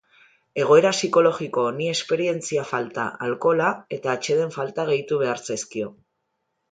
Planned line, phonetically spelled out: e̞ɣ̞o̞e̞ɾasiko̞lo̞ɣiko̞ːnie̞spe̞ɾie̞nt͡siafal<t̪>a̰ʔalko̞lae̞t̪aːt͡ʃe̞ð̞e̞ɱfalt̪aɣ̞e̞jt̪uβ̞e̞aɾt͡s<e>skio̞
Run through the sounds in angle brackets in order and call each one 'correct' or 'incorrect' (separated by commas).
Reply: correct, correct